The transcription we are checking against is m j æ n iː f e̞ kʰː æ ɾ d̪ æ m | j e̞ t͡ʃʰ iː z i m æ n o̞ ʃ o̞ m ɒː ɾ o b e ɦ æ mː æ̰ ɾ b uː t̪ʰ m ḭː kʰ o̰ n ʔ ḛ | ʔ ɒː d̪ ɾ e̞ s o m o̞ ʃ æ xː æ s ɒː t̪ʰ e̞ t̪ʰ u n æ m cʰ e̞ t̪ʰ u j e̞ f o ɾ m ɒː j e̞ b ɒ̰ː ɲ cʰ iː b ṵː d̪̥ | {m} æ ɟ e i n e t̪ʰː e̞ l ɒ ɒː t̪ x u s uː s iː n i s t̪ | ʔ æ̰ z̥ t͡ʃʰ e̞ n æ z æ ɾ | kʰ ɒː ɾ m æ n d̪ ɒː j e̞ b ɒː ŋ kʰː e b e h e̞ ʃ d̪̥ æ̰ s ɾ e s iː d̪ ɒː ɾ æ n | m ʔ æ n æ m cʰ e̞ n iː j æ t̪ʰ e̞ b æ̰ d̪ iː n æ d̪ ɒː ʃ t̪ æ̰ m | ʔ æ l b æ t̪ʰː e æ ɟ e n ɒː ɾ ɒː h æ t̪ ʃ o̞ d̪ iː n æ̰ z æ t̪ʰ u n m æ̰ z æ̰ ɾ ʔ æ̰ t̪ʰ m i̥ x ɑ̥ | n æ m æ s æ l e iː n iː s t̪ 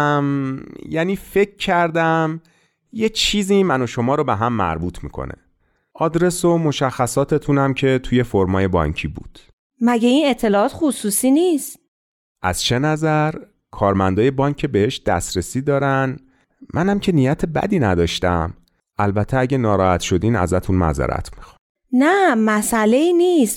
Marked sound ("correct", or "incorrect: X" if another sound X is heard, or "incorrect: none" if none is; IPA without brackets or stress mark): correct